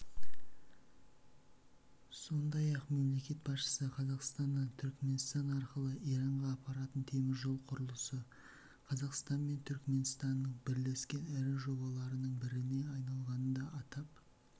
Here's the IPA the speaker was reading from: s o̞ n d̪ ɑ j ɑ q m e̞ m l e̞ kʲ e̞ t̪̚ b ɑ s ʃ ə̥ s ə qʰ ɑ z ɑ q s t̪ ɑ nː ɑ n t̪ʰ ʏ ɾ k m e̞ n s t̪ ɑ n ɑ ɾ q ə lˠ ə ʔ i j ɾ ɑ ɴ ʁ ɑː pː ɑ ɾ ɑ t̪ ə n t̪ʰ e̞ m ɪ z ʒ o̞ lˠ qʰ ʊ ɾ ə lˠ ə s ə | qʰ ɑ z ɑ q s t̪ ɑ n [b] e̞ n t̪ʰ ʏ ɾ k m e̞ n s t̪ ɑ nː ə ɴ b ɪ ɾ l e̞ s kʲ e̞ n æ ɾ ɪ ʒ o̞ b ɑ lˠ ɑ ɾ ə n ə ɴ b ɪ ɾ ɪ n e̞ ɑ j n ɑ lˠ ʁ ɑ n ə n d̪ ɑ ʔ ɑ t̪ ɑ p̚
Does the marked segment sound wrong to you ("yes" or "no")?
yes